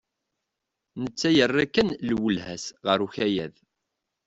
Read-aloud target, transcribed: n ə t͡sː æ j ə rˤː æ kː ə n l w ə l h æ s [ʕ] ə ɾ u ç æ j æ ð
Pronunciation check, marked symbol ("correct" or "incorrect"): incorrect